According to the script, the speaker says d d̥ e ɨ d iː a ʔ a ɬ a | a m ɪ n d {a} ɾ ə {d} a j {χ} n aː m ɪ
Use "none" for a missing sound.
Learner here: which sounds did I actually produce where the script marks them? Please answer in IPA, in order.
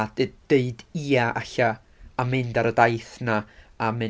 a, d, θ

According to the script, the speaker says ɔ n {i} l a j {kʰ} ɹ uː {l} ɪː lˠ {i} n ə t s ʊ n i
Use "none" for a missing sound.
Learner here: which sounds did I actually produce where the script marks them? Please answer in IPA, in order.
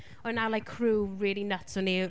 a, kʰ, ɹ, i

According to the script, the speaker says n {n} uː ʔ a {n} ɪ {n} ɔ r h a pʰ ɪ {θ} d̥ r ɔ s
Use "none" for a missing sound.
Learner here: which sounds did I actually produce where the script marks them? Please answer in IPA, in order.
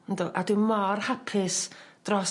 d, d, m, s

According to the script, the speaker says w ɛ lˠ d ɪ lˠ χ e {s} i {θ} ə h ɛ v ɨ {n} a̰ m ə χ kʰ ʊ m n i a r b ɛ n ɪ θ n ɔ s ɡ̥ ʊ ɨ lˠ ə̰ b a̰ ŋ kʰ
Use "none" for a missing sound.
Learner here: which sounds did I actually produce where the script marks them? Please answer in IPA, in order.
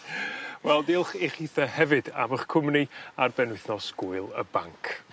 χ, θ, d

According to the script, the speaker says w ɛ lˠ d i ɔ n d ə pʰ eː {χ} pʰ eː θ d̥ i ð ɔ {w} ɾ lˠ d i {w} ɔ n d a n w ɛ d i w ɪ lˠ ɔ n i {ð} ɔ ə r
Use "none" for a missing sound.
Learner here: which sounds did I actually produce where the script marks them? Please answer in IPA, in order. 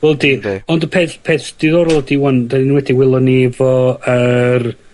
θ, none, w, v

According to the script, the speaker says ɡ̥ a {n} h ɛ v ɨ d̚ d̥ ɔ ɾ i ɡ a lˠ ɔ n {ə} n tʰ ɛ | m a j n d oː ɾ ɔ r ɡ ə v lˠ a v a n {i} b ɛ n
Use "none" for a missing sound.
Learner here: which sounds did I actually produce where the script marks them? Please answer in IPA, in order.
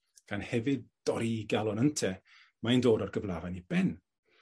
n, ə, i

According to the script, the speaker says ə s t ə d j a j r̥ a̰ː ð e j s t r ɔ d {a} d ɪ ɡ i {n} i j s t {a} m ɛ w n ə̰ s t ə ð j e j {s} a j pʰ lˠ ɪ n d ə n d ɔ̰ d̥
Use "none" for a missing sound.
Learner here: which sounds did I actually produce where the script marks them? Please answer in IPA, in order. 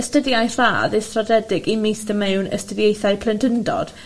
ɛ, m, ə, θ

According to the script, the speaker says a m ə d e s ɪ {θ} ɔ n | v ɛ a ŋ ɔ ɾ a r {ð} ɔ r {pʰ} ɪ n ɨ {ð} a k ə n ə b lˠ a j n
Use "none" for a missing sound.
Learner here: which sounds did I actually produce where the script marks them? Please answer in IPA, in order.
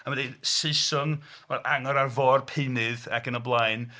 s, v, pʰ, ð

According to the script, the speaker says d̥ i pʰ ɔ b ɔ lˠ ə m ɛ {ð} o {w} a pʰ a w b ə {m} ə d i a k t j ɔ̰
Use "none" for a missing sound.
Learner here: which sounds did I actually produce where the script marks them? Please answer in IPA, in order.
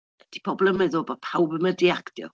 ð, b, m

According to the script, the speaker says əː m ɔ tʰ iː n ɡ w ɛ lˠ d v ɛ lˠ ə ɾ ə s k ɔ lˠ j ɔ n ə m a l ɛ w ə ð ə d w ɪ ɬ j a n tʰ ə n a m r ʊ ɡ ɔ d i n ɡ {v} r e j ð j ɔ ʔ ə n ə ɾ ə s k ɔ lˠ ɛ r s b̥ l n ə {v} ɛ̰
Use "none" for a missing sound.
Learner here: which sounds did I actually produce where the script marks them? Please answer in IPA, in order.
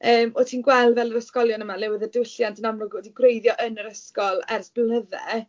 w, ð

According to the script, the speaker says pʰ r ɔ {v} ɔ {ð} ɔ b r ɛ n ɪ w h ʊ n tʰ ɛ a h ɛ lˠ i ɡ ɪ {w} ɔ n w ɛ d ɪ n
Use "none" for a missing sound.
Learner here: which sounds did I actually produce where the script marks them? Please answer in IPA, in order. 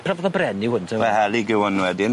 v, ð, w

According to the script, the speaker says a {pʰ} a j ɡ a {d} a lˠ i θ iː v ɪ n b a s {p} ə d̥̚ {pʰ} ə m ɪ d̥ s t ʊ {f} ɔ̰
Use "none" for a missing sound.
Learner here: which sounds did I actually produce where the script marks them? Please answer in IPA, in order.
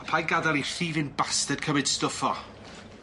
pʰ, d, t, kʰ, f

